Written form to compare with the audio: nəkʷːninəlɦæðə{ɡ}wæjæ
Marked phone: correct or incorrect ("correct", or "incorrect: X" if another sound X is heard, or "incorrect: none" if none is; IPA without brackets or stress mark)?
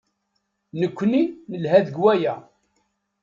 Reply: correct